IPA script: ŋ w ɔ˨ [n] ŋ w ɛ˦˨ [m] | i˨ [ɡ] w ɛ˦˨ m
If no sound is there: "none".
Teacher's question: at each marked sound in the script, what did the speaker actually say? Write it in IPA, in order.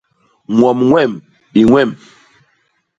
m, m, ŋ

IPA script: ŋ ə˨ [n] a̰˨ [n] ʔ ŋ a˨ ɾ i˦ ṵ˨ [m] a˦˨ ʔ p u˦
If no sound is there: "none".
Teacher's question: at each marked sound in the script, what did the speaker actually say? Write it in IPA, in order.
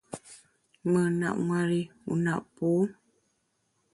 n, none, n

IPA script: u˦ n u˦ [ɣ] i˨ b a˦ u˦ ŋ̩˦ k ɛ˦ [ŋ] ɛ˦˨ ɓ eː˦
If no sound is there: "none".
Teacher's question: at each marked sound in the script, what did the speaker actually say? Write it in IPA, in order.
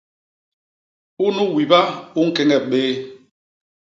w, ŋ

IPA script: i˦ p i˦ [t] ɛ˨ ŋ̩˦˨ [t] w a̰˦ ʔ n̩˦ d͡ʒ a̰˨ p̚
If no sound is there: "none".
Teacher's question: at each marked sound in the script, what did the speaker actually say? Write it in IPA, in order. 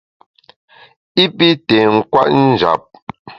t, k

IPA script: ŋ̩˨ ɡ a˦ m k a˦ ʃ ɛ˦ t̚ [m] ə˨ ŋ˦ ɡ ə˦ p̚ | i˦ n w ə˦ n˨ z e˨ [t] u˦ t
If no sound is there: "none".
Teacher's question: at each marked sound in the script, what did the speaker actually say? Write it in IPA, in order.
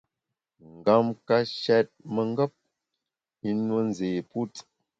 m, p

